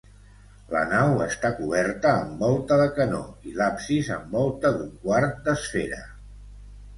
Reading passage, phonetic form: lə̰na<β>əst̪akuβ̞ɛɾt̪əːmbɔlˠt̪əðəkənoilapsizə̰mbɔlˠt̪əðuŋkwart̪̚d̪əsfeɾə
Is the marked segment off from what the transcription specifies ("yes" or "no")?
yes